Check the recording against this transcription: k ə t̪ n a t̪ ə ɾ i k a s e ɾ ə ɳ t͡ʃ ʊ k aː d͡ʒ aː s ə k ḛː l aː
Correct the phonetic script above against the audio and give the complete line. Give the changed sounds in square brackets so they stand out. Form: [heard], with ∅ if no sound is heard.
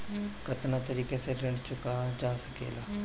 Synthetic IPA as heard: k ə t̪ n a t̪ ə ɾ [iː] k [e] s e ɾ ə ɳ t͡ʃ ʊ k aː d͡ʒ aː s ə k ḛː l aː